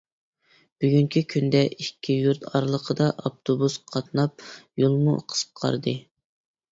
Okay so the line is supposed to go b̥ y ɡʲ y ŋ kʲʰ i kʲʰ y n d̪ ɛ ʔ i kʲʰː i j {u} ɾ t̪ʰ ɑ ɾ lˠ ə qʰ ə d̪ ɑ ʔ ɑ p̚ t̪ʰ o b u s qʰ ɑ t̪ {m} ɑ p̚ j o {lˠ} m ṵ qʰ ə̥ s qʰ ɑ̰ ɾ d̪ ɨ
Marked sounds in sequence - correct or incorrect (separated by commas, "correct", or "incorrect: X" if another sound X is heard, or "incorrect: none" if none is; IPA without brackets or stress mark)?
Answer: correct, incorrect: n, correct